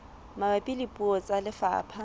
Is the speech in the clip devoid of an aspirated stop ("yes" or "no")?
no